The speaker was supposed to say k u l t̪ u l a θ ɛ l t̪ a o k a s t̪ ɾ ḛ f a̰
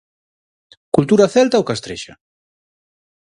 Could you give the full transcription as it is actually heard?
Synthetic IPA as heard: k u l t̪ u ɾ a θ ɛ l t̪ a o k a s t̪ ɾ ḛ ʃ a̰